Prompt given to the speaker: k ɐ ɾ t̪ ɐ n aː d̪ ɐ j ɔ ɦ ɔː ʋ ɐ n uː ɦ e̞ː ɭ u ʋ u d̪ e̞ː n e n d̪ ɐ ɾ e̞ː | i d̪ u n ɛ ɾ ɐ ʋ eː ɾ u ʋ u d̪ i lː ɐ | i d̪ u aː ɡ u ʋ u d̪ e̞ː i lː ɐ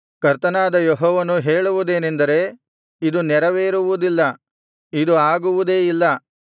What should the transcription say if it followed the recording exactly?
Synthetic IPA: k ɐ ɾ t̪ ɐ n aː d̪ ɐ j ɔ ɦ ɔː ʋ ɐ n u ɦ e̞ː ɭ u ʋ u d̪ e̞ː n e n d̪ ɐ ɾ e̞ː | i d̪ u n ɛ ɾ ɐ ʋ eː ɾ u ʋ u d̪ i lː ɐ | i d̪ u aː ɡ u ʋ u d̪ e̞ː i lː ɐ

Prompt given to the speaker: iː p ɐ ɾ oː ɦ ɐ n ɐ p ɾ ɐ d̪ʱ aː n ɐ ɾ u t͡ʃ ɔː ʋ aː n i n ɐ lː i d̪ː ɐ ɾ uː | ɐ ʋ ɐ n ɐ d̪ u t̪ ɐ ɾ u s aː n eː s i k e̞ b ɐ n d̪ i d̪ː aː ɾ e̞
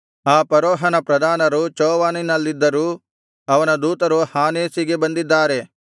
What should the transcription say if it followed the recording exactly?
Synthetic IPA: aː p ɐ ɾ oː ɦ ɐ n ɐ p ɾ ɐ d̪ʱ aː n ɐ ɾ u t͡ʃ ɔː ʋ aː n i n ɐ lː i d̪ː ɐ ɾ uː | ɐ ʋ ɐ n ɐ d̪ uː t̪ ɐ ɾ u h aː n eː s i ɡ e̞ b ɐ n d̪ i d̪ː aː ɾ e̞

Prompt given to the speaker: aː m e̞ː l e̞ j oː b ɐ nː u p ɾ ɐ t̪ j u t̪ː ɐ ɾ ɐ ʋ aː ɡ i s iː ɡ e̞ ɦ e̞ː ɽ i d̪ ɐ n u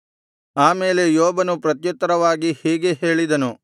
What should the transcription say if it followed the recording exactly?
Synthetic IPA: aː m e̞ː l e̞ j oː b ɐ n u p ɾ ɐ t̪ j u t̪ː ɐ ɾ ɐ ʋ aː ɡ i h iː ɡ e̞ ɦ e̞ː ɭ i d̪ ɐ n u

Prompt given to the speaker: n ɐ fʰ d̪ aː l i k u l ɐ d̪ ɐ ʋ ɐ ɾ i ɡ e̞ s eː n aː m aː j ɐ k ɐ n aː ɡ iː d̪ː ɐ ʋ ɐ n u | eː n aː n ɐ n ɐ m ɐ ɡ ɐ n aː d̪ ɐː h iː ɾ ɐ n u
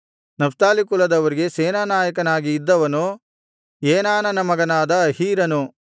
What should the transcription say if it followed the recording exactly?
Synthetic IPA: n ɐ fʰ t̪ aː l i k u l ɐ d̪ ɐ ʋ ɐ ɾ i ɡ e̞ s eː n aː n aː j ɐ k ɐ n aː ɡ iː d̪ː ɐ ʋ ɐ n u | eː n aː n ɐ n ɐ m ɐ ɡ ɐ n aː d̪ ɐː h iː ɾ ɐ n u

